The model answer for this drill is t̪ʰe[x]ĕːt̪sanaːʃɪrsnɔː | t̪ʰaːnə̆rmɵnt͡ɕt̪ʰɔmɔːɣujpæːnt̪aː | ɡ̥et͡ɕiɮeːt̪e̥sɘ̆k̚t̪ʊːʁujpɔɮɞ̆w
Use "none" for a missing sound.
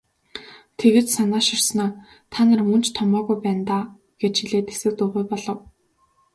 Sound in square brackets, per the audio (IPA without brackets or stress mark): ɣ